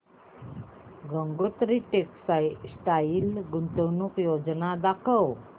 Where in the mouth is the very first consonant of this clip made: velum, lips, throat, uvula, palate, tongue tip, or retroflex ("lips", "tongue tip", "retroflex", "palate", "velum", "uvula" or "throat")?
velum